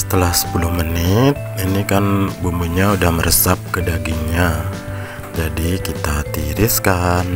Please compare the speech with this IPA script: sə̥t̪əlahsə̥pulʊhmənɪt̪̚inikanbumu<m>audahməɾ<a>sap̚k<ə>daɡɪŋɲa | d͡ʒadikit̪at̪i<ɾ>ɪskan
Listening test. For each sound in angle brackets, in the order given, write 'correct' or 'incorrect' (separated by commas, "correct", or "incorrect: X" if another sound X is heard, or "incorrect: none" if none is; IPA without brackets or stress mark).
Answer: incorrect: ɲ, incorrect: ə, correct, correct